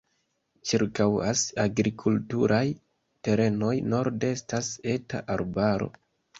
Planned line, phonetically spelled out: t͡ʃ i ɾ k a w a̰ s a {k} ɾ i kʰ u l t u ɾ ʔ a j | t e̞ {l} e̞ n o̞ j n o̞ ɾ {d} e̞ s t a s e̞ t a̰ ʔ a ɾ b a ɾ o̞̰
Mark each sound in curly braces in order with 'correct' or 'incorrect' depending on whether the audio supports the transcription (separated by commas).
incorrect, incorrect, correct